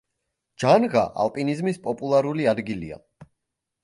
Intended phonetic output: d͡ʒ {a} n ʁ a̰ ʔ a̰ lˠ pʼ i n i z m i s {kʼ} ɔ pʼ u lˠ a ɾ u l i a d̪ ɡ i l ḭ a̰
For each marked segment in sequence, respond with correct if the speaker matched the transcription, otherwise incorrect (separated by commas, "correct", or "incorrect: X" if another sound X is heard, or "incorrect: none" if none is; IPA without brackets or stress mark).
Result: correct, incorrect: pʼ